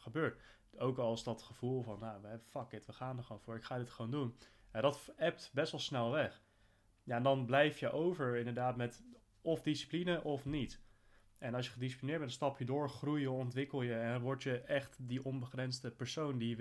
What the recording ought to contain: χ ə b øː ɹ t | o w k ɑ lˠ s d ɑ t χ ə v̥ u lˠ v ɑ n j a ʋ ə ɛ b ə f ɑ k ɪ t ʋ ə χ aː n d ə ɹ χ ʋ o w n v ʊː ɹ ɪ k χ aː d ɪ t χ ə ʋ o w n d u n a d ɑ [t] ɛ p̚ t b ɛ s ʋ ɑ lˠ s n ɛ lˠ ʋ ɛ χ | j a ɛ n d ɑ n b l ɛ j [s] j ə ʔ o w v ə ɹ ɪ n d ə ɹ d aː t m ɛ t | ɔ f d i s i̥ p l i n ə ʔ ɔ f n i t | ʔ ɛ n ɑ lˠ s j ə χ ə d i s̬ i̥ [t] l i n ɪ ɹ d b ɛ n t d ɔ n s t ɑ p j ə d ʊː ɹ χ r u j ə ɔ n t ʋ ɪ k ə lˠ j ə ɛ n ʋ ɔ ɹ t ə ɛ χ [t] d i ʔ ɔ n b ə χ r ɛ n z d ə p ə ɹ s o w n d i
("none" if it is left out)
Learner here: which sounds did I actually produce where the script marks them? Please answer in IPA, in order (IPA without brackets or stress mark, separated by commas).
t, f, p, t